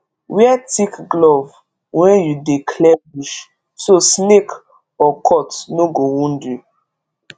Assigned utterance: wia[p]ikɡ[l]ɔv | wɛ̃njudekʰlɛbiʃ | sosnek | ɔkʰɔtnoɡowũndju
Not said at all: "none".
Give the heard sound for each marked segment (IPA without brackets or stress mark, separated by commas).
t, l